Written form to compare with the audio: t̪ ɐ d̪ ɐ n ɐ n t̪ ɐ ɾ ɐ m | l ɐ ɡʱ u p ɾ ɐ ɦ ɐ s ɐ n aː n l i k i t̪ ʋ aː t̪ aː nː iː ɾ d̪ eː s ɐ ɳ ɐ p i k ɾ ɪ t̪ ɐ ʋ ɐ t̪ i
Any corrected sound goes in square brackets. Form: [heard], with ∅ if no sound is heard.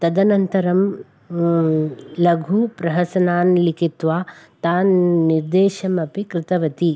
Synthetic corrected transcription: t̪ ɐ d̪ ɐ n ɐ n t̪ ɐ ɾ ɐ m | l ɐ ɡʱ u p ɾ ɐ ɦ ɐ s ɐ n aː n l i k i t̪ ʋ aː t̪ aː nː [i] ɾ d̪ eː [ʃ] ɐ [m] ɐ p i k ɾ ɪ t̪ ɐ ʋ ɐ t̪ i